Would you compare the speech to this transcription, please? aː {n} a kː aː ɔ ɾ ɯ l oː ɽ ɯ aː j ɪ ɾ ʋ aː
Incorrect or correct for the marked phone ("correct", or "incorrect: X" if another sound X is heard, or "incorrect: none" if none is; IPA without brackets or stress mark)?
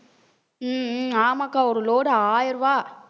incorrect: m